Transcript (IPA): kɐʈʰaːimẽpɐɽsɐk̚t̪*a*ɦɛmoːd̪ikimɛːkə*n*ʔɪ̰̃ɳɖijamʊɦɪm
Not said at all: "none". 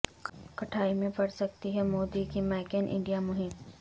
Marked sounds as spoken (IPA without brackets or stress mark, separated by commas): i, n